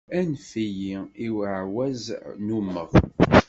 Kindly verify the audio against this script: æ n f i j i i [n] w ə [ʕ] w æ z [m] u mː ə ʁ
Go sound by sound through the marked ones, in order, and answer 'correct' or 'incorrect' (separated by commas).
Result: incorrect, correct, incorrect